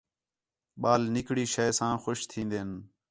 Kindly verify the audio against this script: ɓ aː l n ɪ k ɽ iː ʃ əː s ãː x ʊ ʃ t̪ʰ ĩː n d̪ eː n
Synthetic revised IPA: ɓ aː l n ɪ k ɽ iː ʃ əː s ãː x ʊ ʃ t̪ʰ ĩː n d̪ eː n